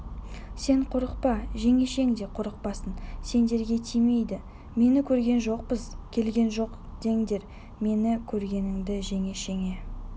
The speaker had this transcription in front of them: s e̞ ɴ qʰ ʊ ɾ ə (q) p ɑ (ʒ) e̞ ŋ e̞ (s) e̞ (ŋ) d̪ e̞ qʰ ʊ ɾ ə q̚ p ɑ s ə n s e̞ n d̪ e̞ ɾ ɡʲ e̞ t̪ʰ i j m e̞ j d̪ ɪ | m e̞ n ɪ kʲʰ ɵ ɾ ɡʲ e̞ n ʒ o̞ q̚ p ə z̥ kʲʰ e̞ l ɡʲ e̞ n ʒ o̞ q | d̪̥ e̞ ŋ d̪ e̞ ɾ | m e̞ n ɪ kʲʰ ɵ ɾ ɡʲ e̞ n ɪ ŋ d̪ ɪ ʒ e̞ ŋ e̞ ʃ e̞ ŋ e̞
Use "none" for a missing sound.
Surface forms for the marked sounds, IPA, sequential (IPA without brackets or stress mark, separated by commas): q, ʒ, ʃ, ŋ